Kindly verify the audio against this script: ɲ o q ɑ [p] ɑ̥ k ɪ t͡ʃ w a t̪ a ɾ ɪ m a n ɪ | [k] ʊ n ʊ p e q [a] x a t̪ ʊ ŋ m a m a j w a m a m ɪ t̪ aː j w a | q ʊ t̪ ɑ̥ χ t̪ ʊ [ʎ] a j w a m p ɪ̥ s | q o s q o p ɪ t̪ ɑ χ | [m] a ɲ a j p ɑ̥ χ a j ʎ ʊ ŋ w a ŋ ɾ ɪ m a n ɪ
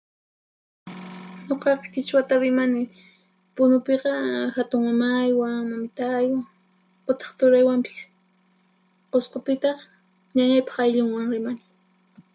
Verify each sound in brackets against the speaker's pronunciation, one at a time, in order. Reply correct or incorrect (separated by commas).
incorrect, incorrect, incorrect, incorrect, incorrect